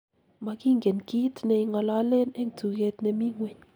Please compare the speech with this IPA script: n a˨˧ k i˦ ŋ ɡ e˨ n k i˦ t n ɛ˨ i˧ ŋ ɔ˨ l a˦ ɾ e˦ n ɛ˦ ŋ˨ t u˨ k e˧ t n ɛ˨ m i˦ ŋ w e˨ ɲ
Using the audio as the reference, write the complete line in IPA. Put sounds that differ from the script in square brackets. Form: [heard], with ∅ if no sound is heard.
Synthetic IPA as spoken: [m] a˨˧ k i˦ ŋ ɡ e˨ n k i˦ t n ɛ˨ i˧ ŋ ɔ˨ l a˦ [l] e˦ n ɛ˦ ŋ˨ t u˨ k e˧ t n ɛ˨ m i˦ ŋ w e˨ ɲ